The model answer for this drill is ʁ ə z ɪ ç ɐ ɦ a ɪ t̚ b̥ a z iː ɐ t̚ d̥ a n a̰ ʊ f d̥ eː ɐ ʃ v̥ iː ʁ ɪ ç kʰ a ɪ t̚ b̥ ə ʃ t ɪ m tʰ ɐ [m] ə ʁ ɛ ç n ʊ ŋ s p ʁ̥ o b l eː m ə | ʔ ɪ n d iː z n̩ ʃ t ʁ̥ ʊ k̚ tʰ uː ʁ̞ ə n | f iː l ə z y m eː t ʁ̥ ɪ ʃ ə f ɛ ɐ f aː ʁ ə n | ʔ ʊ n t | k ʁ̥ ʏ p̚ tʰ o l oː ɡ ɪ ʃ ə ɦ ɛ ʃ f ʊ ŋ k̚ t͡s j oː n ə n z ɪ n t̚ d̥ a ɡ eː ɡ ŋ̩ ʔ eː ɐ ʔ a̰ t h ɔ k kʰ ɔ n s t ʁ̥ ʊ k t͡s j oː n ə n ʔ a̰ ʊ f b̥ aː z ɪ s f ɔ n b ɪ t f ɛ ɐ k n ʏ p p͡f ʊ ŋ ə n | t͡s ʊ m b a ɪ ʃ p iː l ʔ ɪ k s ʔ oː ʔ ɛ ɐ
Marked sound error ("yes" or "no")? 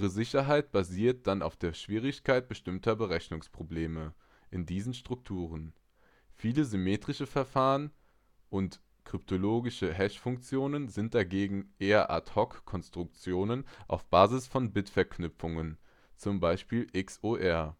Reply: yes